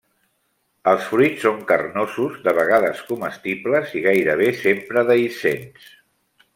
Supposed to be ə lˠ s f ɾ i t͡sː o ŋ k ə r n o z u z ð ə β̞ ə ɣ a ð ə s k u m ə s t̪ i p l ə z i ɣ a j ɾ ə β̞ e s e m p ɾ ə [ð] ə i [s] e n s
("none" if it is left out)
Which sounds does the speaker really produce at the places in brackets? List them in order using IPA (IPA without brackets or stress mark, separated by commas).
ð, s